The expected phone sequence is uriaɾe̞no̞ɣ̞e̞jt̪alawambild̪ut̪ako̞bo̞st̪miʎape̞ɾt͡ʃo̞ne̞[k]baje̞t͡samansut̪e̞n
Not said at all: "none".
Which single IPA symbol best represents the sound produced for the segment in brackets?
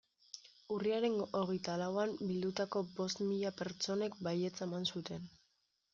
k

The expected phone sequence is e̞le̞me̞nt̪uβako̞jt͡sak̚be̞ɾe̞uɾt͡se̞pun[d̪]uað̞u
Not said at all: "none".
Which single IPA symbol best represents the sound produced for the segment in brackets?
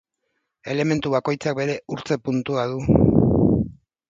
t̪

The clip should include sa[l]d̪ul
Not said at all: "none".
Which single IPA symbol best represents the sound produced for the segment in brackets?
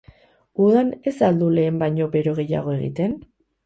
l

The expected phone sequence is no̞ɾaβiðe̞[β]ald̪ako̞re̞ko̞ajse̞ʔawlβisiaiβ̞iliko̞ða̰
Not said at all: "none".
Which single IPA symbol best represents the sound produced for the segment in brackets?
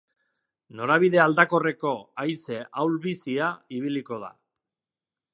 none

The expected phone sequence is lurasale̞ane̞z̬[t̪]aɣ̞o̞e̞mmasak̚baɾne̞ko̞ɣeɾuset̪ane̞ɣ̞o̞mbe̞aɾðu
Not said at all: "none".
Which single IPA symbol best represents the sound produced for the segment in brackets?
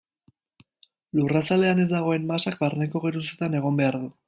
d̪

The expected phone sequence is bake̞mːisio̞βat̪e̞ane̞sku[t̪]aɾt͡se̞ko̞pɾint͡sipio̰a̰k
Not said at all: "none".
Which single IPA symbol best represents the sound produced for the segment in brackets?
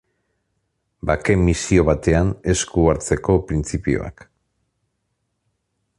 none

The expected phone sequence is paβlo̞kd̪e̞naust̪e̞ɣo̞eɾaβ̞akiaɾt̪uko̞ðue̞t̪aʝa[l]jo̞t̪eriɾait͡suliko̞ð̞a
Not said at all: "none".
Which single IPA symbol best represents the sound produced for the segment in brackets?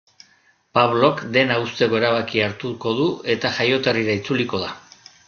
none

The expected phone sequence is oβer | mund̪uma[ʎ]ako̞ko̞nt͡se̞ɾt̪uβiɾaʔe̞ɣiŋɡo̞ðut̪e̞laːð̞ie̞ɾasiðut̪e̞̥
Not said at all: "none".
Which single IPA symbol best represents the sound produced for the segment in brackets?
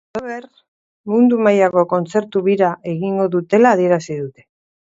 j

